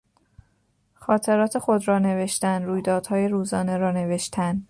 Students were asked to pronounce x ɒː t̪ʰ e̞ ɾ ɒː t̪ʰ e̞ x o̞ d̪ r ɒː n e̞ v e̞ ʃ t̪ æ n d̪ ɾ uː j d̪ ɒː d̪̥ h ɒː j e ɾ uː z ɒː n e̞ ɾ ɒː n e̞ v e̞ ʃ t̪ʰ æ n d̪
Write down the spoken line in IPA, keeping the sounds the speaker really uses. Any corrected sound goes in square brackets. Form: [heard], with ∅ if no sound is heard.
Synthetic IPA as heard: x ɒː t̪ʰ e̞ ɾ ɒː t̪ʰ e̞ x o̞ d̪ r ɒː n e̞ v e̞ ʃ t̪ æ n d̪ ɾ uː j d̪ ɒː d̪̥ h ɒː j e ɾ uː z ɒː n e̞ ɾ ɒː n e̞ v e̞ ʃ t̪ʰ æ n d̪